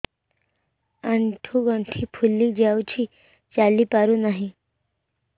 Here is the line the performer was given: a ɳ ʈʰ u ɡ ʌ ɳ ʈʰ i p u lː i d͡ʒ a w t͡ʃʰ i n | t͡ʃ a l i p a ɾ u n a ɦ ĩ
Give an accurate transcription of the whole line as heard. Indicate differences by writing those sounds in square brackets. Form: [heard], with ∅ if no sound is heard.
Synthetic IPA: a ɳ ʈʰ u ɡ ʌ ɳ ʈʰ i [pʰ] u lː i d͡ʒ a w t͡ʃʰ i [∅] | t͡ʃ a l i p a ɾ u n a ɦ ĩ